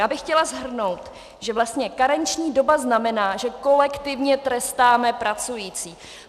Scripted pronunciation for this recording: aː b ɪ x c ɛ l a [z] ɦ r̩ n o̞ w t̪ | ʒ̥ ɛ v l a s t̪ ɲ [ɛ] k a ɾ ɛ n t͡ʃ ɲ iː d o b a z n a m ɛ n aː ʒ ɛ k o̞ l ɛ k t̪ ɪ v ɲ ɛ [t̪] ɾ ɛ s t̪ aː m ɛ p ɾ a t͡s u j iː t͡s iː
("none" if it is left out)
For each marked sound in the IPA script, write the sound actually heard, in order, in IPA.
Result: z, ɛ, t̪

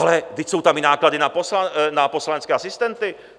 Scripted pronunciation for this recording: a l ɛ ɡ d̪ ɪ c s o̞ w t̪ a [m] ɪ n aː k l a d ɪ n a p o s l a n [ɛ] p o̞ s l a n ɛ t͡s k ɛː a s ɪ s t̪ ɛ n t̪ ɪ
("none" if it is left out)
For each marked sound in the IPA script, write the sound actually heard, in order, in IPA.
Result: m, a

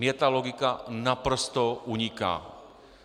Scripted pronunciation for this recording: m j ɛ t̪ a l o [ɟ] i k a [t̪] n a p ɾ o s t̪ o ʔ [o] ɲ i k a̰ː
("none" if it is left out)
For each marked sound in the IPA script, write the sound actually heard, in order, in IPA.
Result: ɡ, none, u

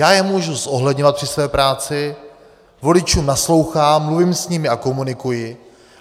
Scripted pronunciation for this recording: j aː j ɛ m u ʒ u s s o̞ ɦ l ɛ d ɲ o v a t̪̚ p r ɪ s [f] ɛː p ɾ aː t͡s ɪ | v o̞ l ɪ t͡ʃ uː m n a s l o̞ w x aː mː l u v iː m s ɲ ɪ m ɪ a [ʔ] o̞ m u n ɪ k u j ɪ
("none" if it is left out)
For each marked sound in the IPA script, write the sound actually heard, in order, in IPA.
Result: v, k

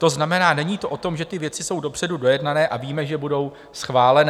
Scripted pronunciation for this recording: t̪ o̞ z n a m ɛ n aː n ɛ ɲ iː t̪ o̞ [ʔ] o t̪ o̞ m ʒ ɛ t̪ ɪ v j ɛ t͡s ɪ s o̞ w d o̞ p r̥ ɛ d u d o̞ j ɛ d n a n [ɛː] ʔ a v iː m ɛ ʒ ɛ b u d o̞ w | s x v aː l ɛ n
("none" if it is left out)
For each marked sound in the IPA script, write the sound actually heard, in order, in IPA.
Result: ʔ, ɛː

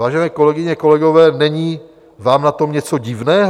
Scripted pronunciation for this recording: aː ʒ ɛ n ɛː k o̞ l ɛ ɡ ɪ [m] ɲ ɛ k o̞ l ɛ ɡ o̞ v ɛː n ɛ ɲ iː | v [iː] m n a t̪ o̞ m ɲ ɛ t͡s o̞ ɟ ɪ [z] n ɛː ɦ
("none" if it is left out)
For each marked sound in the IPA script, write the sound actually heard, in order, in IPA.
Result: none, aː, v

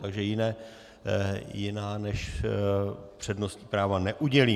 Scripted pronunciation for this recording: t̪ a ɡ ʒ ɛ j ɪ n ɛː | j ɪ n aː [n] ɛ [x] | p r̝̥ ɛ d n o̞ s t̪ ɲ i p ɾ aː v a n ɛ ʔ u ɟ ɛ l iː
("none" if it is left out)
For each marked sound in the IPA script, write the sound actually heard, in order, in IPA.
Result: n, ʃ

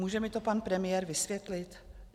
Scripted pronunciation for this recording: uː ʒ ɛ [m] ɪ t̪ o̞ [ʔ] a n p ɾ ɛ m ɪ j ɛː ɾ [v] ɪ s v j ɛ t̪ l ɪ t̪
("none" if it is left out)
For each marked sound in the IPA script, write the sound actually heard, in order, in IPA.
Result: m, p, v

